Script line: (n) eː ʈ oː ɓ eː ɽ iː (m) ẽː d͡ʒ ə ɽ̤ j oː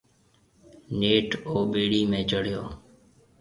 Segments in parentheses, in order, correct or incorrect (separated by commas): correct, correct